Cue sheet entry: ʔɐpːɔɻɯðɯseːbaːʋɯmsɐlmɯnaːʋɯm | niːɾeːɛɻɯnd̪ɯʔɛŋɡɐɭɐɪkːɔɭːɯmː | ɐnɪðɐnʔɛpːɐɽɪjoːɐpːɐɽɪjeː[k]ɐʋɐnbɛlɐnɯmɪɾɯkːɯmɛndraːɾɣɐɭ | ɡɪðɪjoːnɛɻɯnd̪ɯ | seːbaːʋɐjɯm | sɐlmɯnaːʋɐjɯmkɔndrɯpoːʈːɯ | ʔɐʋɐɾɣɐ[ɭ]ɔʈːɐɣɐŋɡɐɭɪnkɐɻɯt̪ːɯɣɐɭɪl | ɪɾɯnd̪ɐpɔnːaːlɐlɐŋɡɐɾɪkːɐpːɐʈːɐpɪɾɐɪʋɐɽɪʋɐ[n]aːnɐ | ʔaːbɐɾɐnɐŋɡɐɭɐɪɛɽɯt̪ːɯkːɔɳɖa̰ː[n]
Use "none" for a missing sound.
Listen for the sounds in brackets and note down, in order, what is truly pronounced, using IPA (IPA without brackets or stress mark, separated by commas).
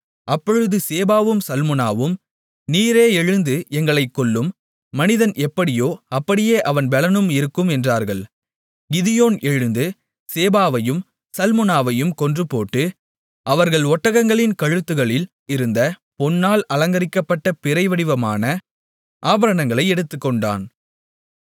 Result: ʔ, ɭ, m, n